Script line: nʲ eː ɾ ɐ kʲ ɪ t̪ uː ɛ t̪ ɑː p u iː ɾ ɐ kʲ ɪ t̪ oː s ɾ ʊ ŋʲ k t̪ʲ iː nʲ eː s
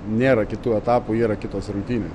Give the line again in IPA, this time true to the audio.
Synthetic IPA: nʲ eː ɾ ɐ kʲ ɪ t̪ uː ɛ t̪ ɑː p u iː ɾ ɐ kʲ ɪ t̪ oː s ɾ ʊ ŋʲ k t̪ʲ iː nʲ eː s